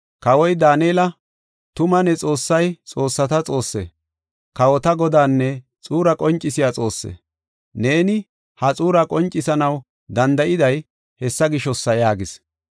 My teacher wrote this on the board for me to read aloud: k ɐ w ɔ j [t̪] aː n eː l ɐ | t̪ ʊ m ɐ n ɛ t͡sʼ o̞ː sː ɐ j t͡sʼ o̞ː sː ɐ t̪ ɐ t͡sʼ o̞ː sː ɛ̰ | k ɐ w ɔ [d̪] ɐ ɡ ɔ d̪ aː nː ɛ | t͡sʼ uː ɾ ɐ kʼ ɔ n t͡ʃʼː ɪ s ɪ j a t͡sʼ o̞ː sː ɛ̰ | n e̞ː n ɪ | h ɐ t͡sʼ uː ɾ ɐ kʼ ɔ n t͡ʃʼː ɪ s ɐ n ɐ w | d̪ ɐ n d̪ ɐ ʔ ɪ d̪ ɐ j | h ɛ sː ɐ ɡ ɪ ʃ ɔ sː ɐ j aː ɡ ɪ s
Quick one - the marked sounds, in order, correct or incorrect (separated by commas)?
incorrect, incorrect